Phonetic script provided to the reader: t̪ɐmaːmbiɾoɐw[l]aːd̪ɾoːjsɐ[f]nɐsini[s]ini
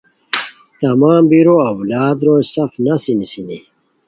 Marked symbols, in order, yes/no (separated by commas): yes, yes, yes